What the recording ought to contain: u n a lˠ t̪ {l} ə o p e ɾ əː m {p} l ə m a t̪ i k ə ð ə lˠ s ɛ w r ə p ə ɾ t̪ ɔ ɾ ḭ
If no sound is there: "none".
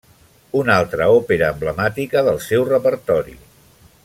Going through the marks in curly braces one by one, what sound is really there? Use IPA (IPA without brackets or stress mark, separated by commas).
ɾ, b